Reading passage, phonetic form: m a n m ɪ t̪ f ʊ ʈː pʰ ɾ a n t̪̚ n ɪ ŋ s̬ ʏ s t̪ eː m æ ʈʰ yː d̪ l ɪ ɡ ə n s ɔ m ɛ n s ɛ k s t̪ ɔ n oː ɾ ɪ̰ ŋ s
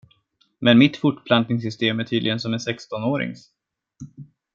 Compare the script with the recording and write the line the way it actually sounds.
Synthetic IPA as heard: m ɛ n m ɪ t̪ f ʊ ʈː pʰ l a n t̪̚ n ɪ ŋ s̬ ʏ s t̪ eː m æ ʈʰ yː d̪ l ɪ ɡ ə n s ɔ m ɛ n s ɛ k s t̪ ɔ n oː ɾ ɪ̰ ŋ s

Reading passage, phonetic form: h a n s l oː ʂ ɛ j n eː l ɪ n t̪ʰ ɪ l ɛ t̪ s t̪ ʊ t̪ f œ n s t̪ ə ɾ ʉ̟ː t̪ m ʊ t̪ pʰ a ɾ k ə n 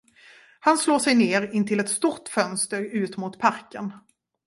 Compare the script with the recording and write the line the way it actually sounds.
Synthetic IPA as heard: h a n s l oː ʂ ɛ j n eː ɾ ɪ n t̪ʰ ɪ l ɛ t̪ s t̪ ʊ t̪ f œ n s t̪ ə ɾ ʉ̟ː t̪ m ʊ t̪ pʰ a ɾ k ə n

